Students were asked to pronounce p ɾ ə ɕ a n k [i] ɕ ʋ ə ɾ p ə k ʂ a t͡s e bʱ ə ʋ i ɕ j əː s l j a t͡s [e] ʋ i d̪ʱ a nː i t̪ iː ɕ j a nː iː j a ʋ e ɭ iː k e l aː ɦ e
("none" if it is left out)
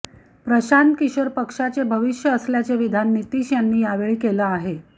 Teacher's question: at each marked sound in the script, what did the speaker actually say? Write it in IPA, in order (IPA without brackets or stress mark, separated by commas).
i, e